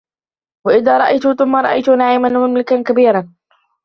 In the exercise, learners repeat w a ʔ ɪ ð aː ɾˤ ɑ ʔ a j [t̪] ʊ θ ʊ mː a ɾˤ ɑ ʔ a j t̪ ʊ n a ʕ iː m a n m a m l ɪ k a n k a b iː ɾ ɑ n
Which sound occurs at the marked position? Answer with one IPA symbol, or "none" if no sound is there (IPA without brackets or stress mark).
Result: t̪